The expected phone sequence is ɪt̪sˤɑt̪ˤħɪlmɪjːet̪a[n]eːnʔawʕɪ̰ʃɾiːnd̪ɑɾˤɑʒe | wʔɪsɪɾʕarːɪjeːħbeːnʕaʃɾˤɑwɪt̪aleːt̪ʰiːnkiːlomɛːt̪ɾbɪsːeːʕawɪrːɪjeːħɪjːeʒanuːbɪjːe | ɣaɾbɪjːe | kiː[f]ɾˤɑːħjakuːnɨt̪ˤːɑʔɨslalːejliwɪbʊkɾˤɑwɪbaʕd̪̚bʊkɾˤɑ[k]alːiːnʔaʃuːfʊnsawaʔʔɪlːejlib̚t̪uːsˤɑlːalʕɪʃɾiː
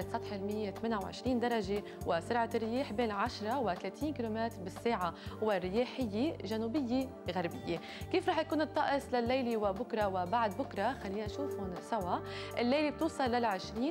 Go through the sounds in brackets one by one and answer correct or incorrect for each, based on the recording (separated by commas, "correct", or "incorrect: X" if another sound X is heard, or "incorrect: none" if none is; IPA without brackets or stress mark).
incorrect: m, correct, incorrect: x